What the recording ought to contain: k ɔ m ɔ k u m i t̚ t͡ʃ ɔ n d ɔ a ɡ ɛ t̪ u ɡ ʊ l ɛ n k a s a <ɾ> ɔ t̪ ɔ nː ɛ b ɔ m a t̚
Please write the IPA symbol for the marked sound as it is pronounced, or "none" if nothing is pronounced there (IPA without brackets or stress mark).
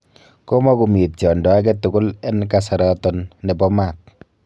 ɾ